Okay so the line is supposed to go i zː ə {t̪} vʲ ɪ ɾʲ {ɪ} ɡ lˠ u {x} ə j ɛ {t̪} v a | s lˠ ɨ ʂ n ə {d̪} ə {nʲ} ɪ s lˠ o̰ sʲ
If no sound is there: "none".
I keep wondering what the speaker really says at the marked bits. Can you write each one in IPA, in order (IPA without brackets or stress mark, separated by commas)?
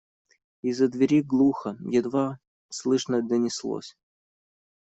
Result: d̪, i, x, d̪, d̪, nʲ